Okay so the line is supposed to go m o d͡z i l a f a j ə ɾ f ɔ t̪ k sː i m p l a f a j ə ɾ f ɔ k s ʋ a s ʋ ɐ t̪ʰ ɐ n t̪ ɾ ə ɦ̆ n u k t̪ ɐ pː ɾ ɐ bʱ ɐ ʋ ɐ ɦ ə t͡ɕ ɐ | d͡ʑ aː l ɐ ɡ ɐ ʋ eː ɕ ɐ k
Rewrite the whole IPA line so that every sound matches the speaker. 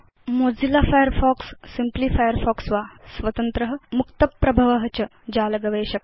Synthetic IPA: m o d͡z i l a f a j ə ɾ f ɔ k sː i m p l i f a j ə ɾ f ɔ k s ʋ a s ʋ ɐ t̪ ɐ n t̪ ɾ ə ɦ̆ m u k t̪ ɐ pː ɾ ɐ bʱ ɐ ʋ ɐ ɦ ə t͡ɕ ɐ | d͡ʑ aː l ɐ ɡ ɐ ʋ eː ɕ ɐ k